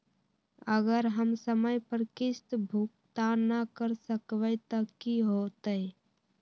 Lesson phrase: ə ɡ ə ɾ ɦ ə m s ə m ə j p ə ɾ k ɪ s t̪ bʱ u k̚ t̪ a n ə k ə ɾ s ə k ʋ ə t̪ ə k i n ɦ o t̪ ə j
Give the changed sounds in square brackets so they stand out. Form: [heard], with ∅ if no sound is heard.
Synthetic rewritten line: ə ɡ ə ɾ ɦ ə m s ə m ə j p ə ɾ k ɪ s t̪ bʱ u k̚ t̪ a n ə k ə ɾ s ə k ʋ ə t̪ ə k i [∅] ɦ o t̪ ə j